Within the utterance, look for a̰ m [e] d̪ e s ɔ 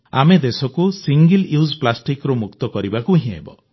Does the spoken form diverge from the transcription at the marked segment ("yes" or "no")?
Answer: no